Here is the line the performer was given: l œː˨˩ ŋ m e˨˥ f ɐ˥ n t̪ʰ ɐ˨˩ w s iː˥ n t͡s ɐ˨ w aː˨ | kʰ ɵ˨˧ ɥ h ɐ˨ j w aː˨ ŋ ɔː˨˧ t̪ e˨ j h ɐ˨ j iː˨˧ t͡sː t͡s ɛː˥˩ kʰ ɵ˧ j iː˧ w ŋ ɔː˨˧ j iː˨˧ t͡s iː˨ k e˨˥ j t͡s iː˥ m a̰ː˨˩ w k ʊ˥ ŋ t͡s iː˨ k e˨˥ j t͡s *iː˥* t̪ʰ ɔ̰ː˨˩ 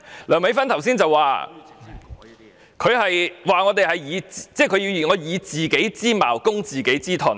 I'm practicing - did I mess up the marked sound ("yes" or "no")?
no